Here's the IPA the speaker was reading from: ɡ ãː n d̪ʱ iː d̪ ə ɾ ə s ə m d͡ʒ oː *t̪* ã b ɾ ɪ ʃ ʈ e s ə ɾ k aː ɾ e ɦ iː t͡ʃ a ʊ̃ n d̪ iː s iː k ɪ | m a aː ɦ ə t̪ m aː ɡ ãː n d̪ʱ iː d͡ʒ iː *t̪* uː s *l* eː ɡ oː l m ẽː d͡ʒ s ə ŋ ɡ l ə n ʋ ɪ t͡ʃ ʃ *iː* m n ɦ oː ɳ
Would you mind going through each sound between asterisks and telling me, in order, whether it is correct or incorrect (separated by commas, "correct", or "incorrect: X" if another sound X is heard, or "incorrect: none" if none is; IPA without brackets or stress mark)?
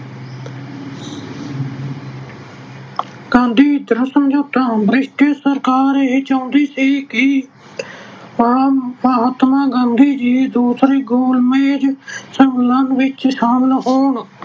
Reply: correct, incorrect: d̪, incorrect: ɾ, incorrect: aː